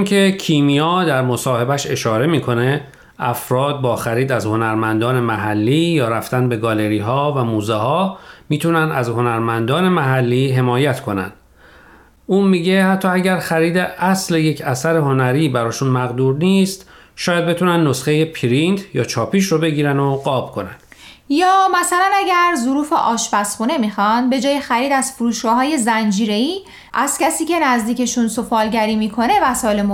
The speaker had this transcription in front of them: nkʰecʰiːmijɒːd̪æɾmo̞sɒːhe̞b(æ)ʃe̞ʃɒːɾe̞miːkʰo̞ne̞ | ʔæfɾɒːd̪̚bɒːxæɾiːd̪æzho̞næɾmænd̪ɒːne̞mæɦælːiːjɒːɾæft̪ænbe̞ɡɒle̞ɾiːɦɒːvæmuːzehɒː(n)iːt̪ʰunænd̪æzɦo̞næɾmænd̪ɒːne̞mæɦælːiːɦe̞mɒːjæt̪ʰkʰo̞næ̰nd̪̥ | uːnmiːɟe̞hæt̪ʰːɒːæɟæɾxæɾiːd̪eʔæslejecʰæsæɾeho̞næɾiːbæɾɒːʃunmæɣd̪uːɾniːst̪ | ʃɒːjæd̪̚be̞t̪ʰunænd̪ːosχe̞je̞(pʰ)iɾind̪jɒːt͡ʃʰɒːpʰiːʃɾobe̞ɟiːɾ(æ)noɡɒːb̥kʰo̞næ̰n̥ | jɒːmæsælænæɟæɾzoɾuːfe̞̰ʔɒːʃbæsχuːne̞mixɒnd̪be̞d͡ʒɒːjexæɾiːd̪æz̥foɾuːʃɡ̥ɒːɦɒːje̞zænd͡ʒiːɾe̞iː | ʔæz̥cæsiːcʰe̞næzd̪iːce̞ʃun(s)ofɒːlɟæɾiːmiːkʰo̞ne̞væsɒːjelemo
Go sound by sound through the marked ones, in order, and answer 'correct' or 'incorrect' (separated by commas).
correct, incorrect, correct, correct, correct